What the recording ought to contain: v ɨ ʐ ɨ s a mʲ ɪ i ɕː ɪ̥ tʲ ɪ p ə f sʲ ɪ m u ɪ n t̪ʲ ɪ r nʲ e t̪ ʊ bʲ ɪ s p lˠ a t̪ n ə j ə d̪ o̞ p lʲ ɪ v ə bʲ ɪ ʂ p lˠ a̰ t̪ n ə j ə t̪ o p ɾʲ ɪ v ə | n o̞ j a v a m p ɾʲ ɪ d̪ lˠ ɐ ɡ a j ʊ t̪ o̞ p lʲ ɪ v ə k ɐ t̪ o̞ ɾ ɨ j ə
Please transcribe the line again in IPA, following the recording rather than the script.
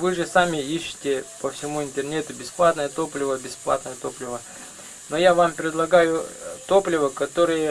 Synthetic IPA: v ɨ ʐ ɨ s a mʲ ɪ i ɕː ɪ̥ tʲ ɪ p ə f sʲ ɪ m u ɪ n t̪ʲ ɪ r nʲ e t̪ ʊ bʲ ɪ s p lˠ a t̪ n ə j ə t̪ o̞ p lʲ ɪ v ə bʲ ɪ s p lˠ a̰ t̪ n ə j ə t̪ o p lʲ ɪ v ə | n o̞ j a v a m p ɾʲ ɪ d̪ lˠ ɐ ɡ a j ʊ t̪ o̞ p lʲ ɪ v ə k ɐ t̪ o̞ ɾ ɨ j ə